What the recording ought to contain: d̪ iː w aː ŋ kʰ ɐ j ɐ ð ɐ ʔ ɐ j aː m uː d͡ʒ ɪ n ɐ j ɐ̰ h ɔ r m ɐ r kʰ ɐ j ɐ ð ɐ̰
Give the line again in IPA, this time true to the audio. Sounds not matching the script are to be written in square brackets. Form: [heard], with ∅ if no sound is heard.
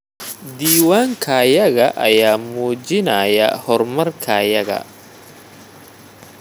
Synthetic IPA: d̪ iː w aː ŋ kʰ ɐ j ɐ [ɣ] ɐ ʔ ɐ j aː m uː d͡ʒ ɪ n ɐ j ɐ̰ h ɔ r m ɐ r kʰ ɐ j ɐ [ɣ] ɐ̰